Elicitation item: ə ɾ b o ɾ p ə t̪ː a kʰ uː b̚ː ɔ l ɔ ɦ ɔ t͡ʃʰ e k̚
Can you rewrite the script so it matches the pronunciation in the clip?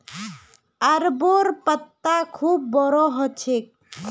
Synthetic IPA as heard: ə ɾ b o ɾ p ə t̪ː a kʰ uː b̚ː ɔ ɾ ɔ ɦ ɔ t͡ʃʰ e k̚